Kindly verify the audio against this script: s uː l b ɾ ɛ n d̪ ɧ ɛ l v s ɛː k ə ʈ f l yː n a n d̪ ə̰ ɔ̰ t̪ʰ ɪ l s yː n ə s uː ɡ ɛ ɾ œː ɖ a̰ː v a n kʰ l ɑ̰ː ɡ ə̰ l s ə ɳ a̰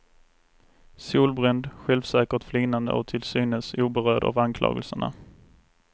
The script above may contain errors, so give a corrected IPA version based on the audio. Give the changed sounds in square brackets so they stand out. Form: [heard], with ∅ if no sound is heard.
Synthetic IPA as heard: s uː l b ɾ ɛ n d̪ ɧ ɛ l v s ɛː k ə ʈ f l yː n a n d̪ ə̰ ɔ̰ t̪ʰ ɪ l s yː n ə s uː [b] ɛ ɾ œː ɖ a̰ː v a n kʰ l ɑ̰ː ɡ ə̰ l s ə ɳ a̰